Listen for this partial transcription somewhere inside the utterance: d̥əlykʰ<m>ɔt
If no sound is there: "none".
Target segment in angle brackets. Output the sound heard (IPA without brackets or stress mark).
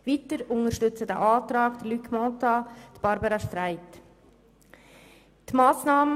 m